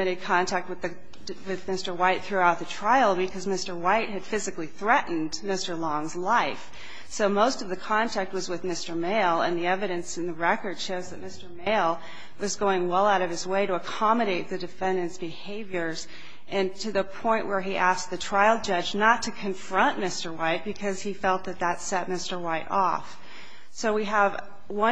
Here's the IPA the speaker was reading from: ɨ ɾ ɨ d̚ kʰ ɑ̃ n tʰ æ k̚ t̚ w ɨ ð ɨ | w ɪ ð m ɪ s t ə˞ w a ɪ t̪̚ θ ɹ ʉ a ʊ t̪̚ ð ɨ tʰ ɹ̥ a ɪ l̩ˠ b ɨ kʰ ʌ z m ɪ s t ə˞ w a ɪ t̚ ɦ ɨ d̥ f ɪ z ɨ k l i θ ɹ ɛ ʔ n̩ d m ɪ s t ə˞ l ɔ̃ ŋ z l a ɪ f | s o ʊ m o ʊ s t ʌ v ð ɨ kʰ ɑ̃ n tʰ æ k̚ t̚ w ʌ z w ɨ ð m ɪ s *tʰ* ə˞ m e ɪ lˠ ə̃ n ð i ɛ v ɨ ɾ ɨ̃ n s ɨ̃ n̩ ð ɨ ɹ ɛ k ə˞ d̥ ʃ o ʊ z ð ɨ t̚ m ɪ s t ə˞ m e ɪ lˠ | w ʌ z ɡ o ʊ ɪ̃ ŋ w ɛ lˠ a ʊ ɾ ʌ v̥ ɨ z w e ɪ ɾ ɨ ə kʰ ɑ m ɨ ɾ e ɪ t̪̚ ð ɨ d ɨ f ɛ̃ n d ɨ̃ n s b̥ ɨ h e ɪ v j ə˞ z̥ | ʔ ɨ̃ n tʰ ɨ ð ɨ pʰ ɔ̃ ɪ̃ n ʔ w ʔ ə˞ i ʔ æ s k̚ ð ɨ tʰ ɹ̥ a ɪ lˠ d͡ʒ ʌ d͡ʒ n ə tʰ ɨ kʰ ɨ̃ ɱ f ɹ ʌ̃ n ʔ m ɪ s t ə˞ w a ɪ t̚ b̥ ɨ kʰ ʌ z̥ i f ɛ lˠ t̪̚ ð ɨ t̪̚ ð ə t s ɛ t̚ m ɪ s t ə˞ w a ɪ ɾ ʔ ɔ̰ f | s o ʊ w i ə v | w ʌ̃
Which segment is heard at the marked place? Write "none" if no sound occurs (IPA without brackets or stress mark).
t